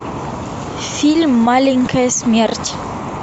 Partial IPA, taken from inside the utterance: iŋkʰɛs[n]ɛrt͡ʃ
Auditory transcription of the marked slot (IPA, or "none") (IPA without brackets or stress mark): m